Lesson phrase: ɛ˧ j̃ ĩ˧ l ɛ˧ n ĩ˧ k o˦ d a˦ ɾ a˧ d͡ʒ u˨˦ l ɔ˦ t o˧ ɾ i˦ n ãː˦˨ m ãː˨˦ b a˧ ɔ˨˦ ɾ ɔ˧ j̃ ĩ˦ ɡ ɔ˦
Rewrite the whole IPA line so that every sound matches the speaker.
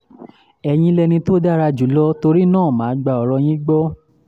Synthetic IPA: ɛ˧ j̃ ĩ˧ l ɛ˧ n ĩ˧ t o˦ d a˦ ɾ a˧ d͡ʒ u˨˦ l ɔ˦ t o˧ ɾ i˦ n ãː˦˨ m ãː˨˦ ɡ͡b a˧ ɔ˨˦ ɾ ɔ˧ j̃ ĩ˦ ɡ͡b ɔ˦

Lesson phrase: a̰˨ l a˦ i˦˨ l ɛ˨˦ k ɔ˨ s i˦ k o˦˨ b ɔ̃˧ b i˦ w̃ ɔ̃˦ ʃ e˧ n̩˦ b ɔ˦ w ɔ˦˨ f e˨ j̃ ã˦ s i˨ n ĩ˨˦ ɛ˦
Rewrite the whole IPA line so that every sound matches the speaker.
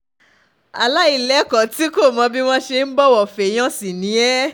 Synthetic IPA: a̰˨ l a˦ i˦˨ l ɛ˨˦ k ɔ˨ t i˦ k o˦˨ m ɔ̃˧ b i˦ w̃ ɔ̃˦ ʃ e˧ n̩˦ b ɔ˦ w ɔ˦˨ f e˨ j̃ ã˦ s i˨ n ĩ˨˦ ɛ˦

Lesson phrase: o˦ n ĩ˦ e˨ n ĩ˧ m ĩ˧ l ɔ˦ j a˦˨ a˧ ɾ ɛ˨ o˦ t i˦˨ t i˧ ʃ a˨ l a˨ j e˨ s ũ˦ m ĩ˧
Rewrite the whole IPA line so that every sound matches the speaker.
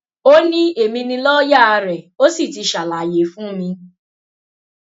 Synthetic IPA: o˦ n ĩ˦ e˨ m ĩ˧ n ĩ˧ l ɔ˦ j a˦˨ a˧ ɾ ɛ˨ o˦ s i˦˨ t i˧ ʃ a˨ l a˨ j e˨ f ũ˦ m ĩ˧

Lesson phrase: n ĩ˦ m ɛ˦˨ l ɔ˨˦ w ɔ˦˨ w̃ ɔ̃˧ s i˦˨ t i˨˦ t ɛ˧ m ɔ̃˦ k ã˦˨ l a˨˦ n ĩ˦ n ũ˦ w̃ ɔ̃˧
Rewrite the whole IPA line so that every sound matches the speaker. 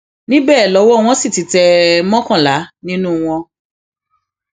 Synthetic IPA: n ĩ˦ b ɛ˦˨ l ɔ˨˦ w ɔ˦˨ w̃ ɔ̃˧ s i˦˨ t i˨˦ t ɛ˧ m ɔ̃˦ k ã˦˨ l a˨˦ n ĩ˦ n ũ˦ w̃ ɔ̃˧

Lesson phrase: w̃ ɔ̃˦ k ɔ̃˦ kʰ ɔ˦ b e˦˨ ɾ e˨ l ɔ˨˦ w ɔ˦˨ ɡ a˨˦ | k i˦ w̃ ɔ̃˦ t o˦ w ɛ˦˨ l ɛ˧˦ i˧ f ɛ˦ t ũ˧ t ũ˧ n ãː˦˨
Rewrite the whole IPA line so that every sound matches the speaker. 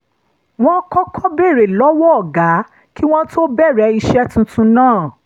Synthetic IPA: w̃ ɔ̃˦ k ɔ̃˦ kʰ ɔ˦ b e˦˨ ɾ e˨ l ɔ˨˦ w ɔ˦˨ ɡ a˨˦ | k i˦ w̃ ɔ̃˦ t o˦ b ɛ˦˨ ɾ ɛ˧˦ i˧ ʃ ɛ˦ t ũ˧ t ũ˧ n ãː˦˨

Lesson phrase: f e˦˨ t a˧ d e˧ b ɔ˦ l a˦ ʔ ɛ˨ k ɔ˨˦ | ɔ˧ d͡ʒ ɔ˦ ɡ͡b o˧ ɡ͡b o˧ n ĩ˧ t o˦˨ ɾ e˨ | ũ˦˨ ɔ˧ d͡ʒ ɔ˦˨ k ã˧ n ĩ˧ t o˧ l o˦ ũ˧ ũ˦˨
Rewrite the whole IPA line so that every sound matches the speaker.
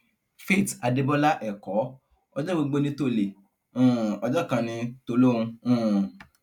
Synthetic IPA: f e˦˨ t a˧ d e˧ b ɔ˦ l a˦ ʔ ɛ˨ k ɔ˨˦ | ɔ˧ d͡ʒ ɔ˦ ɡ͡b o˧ ɡ͡b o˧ n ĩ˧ t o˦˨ l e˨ | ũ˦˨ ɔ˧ d͡ʒ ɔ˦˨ k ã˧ n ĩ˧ t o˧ l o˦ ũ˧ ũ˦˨

